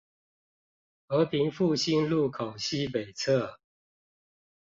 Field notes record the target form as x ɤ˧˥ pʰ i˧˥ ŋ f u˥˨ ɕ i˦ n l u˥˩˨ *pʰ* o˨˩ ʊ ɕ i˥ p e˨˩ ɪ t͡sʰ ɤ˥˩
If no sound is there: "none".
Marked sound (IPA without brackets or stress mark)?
kʰ